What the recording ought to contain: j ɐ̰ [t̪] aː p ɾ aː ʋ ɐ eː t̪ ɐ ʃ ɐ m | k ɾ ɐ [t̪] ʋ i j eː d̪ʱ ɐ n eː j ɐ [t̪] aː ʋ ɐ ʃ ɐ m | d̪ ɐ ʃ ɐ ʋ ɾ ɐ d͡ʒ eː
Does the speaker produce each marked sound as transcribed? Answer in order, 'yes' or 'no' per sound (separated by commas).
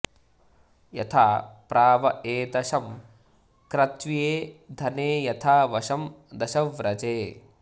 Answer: no, yes, no